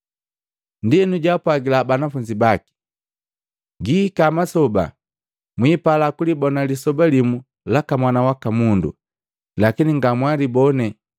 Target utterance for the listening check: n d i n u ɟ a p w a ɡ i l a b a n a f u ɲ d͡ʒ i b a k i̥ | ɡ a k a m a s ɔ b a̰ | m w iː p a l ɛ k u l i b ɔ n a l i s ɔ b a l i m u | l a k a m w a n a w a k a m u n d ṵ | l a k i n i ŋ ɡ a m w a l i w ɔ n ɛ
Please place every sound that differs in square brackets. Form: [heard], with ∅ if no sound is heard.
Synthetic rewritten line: n d i n u ɟ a p w a ɡ i l a b a n a f u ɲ d͡ʒ i b a k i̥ | ɡ [i] k a m a s ɔ b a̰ | m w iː p a l [a] k u l i b ɔ n a l i s ɔ b a l i m u | l a k a m w a n a w a k a m u n d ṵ | l a k i n i ŋ ɡ a m w a l i [b] ɔ n ɛ